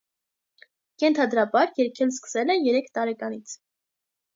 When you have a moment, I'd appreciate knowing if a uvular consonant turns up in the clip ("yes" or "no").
no